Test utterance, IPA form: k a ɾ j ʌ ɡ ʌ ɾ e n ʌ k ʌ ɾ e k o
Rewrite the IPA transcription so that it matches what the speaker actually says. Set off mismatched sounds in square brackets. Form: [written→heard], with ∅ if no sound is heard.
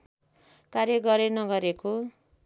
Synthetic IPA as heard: k a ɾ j ʌ ɡ ʌ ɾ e n ʌ [k→ɡ] ʌ ɾ e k o